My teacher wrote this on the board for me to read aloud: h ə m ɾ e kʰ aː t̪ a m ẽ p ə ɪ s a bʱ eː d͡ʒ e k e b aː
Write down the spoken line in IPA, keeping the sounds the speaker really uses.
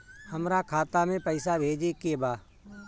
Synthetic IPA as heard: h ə m ɾ a kʰ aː t̪ a m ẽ p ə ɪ s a bʱ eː d͡ʒ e k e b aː